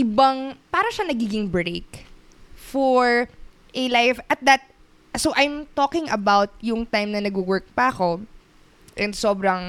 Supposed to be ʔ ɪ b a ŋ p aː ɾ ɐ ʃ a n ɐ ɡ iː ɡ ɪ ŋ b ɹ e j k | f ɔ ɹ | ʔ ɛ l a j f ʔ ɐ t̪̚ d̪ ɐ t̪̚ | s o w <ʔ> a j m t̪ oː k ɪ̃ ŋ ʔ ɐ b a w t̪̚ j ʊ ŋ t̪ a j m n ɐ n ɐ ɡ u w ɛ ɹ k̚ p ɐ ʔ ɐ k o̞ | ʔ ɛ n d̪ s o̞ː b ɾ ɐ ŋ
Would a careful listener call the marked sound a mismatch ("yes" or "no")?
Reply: no